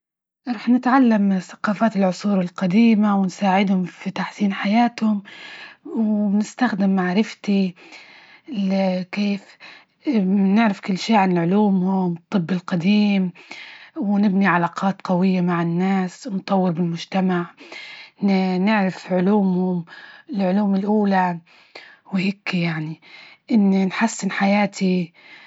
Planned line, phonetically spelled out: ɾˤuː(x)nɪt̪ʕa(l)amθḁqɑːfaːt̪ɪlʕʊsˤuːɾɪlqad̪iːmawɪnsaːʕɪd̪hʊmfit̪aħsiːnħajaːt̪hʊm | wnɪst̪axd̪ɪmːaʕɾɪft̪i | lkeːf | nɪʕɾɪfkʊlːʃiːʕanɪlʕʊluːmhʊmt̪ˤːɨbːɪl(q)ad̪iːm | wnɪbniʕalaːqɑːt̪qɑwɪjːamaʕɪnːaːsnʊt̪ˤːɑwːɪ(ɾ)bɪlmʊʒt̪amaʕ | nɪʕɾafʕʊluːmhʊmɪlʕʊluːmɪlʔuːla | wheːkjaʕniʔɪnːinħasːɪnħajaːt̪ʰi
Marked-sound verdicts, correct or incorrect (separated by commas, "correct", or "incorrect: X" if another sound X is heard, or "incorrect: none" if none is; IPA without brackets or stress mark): incorrect: ħ, incorrect: lː, correct, correct